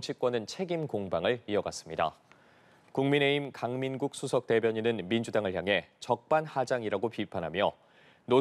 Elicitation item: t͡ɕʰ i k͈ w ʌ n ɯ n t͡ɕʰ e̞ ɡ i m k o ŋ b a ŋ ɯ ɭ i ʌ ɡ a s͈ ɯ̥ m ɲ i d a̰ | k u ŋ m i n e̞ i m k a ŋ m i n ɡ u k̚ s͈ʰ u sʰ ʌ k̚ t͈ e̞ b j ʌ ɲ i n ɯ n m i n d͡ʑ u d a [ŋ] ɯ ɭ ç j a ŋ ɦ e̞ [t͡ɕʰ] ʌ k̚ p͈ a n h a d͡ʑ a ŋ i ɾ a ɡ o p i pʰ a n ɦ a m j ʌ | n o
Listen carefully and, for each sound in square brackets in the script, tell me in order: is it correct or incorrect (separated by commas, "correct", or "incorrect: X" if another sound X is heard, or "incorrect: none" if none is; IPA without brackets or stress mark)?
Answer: correct, incorrect: t͡ɕ